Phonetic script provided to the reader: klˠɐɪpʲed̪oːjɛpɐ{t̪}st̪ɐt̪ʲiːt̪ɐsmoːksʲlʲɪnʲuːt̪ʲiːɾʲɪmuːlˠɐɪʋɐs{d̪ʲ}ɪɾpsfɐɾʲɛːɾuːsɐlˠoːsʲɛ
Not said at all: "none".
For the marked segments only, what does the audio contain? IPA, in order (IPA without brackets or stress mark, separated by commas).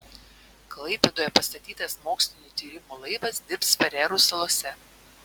none, d̪ʲ